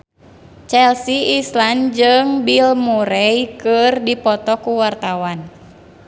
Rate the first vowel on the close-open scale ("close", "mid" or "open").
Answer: mid